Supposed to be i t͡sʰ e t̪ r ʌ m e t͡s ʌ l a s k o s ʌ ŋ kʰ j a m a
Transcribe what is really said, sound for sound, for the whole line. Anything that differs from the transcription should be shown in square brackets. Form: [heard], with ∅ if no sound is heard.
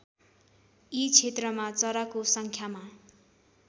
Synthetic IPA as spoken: i t͡sʰ e t̪ r ʌ m [a] t͡s ʌ [ɾ] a [∅] k o s ʌ ŋ kʰ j a m a